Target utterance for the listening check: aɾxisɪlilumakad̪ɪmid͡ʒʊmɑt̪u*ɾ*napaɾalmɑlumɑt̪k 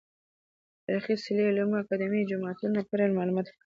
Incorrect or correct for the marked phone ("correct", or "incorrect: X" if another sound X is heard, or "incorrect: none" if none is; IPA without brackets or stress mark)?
incorrect: none